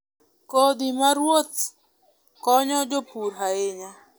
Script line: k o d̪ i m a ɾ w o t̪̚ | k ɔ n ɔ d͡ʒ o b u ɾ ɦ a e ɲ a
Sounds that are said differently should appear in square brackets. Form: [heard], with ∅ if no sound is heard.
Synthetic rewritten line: k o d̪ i m a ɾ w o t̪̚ | k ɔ [ɲ] ɔ d͡ʒ o [p] u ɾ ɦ a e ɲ a